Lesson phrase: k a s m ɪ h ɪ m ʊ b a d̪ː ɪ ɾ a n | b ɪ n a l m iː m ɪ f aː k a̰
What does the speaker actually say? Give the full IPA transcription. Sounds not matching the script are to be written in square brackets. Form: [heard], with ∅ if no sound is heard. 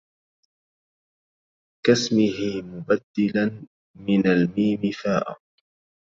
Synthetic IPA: k a s m ɪ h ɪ m ʊ b a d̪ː ɪ [l] a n | [m] ɪ n a l m iː m ɪ f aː [ʔ] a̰